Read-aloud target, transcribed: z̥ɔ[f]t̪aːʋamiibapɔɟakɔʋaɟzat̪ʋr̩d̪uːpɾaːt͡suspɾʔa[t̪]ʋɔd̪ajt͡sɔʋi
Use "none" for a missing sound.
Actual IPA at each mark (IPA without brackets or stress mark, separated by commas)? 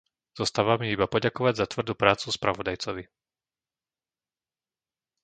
s, none